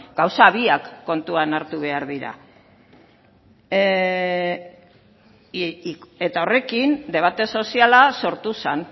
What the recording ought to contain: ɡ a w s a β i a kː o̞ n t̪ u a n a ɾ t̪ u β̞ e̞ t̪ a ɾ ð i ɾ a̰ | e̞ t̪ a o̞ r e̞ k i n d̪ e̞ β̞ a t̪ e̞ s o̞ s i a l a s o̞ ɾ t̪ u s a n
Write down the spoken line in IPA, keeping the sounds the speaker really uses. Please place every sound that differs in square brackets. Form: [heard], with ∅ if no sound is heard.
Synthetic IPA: ɡ a w s a β i a kː o̞ n t̪ u a n a ɾ t̪ u β̞ e̞ [∅] a ɾ ð i ɾ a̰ | e̞ t̪ a o̞ r e̞ k i n d̪ e̞ β̞ a t̪ e̞ s o̞ s i a l a s o̞ ɾ t̪ u s a n